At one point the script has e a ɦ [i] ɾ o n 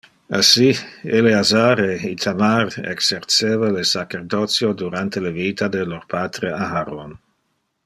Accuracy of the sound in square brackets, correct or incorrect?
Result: incorrect